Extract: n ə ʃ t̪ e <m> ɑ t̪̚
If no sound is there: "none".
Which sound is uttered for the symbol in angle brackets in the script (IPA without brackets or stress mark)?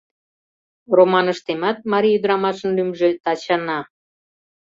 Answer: m